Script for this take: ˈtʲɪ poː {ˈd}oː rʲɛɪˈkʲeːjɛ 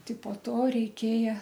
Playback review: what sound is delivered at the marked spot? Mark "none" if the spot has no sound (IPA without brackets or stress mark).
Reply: t